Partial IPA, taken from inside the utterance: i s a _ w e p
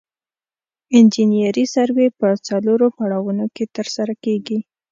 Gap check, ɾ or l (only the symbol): ɾ